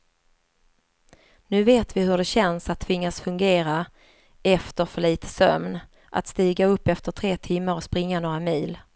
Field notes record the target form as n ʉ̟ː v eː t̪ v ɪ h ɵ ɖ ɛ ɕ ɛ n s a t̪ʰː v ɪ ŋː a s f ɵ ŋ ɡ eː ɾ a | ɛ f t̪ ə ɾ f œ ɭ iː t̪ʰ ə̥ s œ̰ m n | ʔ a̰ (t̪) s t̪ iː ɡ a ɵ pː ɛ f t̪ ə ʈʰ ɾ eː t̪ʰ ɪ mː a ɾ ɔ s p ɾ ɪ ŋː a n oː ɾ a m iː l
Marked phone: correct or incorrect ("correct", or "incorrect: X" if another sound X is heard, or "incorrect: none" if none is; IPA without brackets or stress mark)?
correct